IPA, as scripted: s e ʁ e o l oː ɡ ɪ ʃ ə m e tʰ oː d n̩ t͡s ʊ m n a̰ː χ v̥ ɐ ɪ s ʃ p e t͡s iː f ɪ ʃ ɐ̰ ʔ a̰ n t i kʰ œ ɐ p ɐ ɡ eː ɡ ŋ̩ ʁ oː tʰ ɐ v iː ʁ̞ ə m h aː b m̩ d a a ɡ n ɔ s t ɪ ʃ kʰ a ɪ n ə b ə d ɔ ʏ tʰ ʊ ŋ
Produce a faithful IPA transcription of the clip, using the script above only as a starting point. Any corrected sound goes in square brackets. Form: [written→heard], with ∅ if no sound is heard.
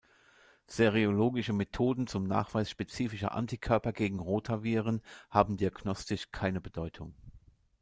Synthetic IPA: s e ʁ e o l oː ɡ ɪ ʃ ə m e tʰ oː d n̩ t͡s ʊ m n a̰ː χ v̥ [ɐ→a] ɪ s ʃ p e t͡s iː f ɪ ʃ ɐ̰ ʔ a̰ n t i kʰ œ ɐ p ɐ ɡ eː ɡ ŋ̩ ʁ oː tʰ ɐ v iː ʁ̞ ə [m→n] h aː b m̩ d [a→i] a ɡ n ɔ s t ɪ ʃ kʰ a ɪ n ə b ə d ɔ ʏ tʰ ʊ ŋ